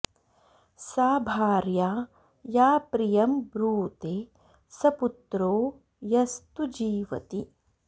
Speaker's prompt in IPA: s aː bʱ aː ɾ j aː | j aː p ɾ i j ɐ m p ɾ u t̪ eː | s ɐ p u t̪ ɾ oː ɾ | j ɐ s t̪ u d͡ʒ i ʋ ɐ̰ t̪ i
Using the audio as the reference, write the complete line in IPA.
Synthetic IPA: s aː bʱ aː ɾ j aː | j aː p ɾ i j ɐ m b ɾ uː t̪ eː | s ɐ p u t̪ ɾ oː | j ɐ s t̪ u d͡ʒ iː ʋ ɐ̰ t̪ i